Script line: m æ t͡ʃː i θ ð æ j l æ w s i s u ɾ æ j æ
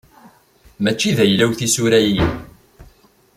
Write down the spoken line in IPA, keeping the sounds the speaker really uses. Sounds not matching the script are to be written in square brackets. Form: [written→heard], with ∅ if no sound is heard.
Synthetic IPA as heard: m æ t͡ʃː i [θ→∅] ð æ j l æ w [s→θ] i s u ɾ æ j [æ→i]